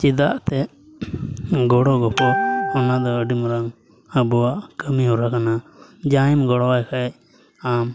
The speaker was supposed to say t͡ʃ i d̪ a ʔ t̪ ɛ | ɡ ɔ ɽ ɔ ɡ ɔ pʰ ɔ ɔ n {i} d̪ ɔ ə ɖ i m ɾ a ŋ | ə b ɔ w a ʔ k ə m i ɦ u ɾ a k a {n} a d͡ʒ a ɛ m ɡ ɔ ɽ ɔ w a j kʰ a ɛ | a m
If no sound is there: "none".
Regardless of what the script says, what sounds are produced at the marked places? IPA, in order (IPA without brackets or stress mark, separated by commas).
a, n